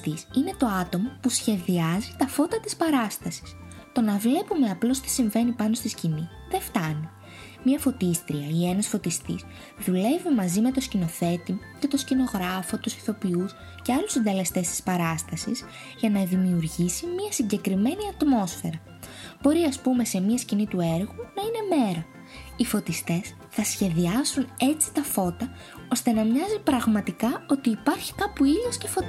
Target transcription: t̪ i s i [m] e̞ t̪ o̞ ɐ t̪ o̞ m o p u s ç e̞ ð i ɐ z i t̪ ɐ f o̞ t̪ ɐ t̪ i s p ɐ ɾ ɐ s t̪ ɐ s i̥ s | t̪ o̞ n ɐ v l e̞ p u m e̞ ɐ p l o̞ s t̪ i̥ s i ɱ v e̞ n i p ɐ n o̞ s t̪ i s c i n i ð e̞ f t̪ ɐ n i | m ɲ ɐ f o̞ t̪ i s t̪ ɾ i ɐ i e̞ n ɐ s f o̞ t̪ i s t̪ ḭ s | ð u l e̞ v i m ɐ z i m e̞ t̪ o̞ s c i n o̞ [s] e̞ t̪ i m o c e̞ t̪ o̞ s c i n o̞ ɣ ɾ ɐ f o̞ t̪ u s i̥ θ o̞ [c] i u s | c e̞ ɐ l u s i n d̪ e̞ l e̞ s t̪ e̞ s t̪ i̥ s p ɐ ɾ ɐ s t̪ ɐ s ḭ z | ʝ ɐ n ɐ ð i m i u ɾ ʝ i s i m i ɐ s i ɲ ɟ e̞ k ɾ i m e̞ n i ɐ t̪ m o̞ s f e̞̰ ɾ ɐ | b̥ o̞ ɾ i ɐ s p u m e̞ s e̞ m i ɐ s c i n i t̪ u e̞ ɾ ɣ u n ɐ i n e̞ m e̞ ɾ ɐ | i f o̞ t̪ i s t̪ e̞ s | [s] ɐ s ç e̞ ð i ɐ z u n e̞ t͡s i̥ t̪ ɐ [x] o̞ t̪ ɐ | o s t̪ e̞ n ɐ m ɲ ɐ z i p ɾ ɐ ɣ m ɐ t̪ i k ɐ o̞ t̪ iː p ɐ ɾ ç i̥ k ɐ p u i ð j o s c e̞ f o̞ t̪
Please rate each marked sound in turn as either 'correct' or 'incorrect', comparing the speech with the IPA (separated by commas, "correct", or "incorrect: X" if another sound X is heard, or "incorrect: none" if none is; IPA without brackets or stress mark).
incorrect: n, incorrect: θ, incorrect: p, incorrect: θ, incorrect: f